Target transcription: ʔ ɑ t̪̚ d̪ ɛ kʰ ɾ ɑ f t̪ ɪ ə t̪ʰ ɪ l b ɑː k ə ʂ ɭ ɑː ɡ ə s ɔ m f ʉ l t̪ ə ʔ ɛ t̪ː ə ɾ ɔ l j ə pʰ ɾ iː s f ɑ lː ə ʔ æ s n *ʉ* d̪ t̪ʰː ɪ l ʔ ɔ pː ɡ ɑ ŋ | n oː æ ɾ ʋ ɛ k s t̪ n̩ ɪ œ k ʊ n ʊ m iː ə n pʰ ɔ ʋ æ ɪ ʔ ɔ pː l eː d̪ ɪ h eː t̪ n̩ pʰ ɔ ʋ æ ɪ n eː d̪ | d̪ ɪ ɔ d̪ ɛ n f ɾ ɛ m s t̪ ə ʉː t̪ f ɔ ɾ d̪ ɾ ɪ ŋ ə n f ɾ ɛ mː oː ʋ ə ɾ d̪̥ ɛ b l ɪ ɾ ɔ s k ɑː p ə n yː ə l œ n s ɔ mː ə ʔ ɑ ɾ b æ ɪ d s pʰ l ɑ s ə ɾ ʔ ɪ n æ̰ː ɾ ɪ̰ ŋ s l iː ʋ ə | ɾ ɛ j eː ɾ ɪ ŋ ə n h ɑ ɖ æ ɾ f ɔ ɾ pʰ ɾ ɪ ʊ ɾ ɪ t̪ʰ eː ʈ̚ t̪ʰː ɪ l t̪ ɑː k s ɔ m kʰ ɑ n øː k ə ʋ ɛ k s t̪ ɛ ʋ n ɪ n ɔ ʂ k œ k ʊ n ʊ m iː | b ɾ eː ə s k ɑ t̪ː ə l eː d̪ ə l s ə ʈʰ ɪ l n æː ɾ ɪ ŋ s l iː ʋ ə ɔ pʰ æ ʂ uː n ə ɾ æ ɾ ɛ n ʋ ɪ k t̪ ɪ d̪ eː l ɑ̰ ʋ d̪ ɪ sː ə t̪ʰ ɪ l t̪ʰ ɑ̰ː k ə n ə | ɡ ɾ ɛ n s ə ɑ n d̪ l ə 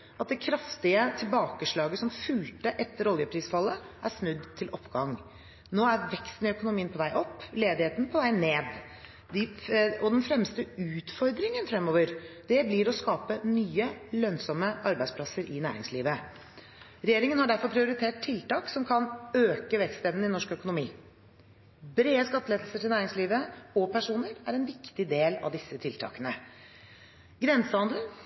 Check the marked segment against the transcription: correct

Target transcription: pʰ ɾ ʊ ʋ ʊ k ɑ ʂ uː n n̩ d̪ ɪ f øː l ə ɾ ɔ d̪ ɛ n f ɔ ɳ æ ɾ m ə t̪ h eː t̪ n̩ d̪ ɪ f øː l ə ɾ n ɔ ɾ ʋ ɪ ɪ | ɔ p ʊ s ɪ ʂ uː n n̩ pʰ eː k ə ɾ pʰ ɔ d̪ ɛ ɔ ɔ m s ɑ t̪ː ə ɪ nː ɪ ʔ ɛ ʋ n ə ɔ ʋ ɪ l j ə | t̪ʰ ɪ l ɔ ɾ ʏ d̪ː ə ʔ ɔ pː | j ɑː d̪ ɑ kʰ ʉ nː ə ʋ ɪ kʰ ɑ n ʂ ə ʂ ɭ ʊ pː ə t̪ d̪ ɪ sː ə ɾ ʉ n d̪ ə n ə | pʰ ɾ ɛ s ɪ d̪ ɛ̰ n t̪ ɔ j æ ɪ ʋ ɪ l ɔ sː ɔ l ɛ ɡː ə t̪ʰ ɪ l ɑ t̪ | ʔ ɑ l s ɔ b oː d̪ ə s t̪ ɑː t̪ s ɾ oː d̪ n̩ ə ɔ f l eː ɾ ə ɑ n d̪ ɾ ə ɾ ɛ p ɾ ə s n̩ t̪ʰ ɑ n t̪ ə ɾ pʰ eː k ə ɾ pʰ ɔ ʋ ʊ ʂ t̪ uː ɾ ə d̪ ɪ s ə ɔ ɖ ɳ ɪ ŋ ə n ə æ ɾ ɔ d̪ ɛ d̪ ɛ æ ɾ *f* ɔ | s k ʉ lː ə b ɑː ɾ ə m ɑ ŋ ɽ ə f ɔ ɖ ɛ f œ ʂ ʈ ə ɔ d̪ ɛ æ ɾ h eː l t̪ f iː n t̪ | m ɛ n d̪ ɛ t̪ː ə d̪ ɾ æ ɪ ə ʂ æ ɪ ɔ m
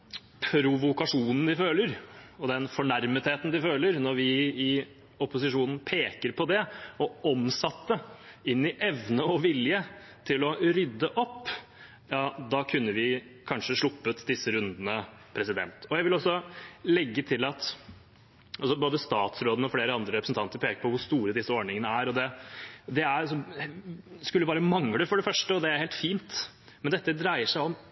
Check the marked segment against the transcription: incorrect: s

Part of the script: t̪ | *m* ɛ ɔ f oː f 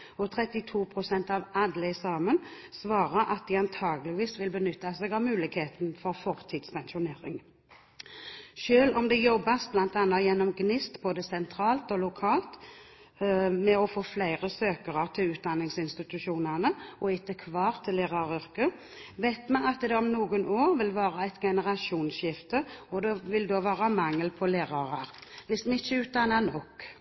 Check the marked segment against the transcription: correct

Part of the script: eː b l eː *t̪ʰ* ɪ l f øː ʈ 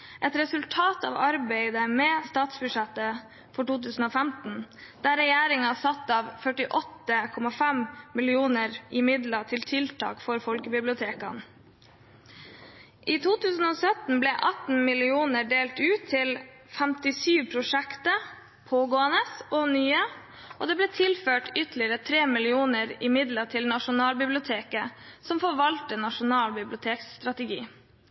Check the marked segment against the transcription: correct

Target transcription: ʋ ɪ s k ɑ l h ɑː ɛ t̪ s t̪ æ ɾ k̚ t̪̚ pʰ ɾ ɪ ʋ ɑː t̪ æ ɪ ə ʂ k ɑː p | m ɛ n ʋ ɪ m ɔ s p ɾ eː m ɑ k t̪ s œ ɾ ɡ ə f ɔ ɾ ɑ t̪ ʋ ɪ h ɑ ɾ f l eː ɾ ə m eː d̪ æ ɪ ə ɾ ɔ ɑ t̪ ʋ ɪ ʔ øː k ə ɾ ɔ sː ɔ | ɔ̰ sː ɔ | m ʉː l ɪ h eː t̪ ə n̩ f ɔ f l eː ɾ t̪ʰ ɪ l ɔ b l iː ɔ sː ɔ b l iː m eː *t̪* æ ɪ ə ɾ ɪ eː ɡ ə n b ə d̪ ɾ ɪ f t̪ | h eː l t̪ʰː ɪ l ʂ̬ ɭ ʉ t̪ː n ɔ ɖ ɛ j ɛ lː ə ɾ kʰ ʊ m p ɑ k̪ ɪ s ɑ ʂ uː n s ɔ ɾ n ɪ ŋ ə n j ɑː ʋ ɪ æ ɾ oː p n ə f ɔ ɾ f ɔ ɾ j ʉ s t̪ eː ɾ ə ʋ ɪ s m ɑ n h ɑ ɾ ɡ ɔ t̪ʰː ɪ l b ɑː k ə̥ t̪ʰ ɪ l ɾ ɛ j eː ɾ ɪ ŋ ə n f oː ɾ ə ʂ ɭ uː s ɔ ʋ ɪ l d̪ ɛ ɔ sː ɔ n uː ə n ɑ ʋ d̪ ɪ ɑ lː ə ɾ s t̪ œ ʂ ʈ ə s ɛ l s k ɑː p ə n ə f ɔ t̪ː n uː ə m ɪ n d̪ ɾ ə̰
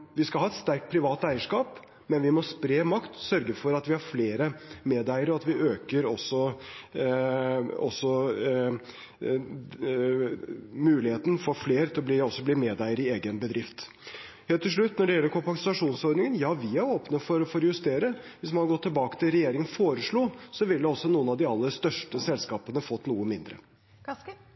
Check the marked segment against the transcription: incorrect: d̪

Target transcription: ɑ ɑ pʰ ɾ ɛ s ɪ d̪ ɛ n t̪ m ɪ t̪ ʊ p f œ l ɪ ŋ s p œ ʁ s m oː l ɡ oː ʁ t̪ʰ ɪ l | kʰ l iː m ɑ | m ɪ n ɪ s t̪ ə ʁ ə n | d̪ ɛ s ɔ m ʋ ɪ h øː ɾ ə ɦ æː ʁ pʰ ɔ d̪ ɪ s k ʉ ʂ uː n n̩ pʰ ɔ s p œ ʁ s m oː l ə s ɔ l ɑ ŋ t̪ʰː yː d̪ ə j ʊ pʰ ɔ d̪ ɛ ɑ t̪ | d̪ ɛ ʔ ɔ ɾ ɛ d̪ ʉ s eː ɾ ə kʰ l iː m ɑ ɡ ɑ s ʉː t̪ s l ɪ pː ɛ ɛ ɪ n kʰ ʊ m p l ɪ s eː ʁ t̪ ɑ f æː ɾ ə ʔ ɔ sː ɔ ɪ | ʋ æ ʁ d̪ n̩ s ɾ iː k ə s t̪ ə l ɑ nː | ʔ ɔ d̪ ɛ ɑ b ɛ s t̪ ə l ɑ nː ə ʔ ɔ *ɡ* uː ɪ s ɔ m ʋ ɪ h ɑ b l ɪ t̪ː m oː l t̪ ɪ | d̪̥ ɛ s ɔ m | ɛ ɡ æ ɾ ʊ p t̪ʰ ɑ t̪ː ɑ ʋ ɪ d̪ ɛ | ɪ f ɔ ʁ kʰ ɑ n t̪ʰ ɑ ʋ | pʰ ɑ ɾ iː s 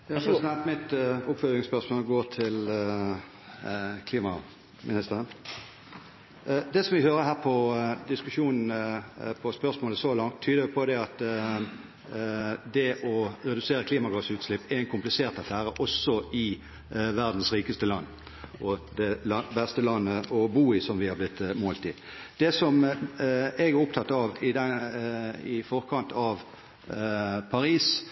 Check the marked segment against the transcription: incorrect: b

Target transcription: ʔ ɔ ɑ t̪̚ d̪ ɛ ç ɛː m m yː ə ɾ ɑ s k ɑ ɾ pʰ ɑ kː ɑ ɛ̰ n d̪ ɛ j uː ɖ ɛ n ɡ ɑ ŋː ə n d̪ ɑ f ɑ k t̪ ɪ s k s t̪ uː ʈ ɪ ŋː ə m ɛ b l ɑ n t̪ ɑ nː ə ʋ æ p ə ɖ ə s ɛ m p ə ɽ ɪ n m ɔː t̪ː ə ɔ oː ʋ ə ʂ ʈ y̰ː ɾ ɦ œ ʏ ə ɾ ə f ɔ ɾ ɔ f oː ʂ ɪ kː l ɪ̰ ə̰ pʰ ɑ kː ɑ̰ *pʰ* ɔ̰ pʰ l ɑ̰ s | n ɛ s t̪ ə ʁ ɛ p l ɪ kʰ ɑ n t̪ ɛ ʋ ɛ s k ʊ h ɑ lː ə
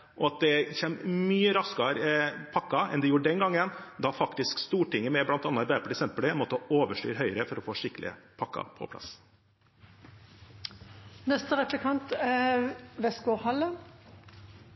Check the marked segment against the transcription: correct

